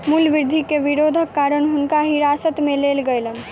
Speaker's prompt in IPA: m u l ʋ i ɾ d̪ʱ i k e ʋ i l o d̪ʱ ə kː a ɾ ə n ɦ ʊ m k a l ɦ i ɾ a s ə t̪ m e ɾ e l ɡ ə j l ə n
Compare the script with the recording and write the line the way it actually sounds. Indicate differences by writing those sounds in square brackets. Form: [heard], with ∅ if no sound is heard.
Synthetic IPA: m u l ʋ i ɾ d̪ʱ i k e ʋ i [ɾ] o d̪ʱ ə kː a ɾ ə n ɦ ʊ [n] k a [∅] ɦ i ɾ a s ə t̪ m e [l] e l ɡ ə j l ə n